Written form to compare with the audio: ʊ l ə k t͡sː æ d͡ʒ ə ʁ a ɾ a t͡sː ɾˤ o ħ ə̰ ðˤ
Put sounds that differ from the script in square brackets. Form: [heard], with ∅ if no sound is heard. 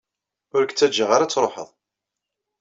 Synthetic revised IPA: ʊ [ɾ] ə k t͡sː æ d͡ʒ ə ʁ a ɾ a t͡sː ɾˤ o ħ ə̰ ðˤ